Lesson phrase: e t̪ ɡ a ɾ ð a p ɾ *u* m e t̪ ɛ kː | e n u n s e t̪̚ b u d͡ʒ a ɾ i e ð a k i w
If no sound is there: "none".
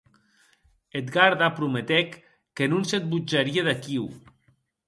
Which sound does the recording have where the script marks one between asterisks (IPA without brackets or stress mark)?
u